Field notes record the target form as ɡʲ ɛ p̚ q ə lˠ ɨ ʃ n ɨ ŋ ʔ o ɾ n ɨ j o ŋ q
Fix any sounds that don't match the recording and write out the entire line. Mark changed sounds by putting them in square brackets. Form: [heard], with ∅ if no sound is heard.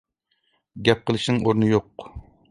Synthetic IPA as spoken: ɡʲ ɛ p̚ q ə lˠ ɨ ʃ n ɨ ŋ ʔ o ɾ n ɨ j o [∅] q